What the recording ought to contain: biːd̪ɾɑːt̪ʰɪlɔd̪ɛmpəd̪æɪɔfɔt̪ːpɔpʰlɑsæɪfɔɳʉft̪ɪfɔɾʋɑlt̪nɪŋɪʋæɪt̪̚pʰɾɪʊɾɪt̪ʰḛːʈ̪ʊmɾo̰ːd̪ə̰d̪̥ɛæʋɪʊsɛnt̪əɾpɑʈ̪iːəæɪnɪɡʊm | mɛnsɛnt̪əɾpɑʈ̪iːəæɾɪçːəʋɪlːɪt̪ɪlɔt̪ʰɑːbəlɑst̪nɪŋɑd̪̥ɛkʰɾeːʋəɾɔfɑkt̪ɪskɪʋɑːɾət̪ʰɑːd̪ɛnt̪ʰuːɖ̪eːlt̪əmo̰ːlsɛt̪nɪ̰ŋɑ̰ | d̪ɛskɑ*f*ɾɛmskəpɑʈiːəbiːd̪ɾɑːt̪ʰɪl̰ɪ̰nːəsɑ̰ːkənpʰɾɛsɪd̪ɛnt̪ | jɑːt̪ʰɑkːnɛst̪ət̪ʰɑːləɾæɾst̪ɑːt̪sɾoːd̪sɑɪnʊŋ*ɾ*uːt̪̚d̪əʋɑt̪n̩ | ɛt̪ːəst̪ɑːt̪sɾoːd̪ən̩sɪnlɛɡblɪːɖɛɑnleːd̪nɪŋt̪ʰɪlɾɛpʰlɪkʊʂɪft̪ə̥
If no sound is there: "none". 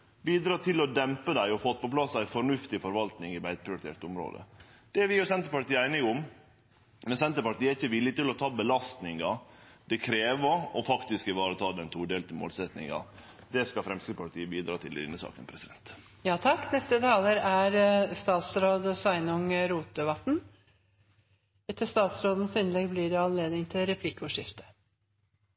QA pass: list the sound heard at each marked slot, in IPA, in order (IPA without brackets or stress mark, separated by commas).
f, ɾ